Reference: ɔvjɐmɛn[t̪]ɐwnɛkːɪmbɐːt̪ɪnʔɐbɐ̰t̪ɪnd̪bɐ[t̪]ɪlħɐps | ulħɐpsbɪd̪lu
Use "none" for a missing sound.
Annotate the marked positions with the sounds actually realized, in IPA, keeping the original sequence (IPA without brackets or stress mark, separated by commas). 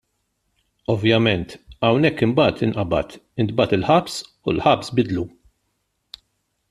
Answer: t̪, t̪